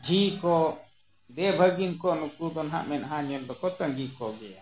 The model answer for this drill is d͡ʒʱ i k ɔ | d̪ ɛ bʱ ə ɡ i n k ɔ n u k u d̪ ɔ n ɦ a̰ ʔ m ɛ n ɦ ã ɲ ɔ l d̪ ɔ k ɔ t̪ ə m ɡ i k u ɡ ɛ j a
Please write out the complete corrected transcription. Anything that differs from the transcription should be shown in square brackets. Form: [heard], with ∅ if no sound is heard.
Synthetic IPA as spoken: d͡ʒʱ i k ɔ | d̪ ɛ bʱ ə ɡ i n k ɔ n u k u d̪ ɔ n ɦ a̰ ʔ m ɛ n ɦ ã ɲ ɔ l d̪ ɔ k ɔ t̪ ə [ŋ] ɡ i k [ɔ] ɡ ɛ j a